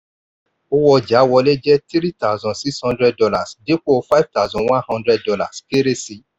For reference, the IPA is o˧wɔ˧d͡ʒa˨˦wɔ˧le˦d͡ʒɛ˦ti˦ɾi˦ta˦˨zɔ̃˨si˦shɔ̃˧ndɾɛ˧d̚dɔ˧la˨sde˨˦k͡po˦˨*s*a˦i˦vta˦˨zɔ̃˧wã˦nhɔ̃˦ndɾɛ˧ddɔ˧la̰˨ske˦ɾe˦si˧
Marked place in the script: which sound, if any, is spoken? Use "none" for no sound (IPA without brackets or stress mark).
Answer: f